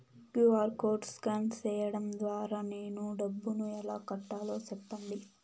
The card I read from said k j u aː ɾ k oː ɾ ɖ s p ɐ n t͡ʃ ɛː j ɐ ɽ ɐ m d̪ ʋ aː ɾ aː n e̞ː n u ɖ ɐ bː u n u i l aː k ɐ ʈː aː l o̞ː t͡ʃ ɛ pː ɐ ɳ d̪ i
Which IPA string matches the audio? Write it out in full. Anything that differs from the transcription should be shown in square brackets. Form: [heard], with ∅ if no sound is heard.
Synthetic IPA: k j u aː ɾ k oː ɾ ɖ s [k] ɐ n t͡ʃ ɛː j ɐ ɽ ɐ m d̪ ʋ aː ɾ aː n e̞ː n u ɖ ɐ bː u n u [ɛ] l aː k ɐ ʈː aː l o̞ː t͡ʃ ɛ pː ɐ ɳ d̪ i